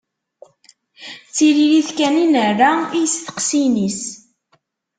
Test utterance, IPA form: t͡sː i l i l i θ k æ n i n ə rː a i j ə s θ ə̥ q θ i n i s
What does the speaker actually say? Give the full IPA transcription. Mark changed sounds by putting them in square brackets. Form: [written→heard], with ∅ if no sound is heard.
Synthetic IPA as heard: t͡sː i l i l i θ k æ n i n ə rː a i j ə s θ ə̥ q [θ→s] i n i s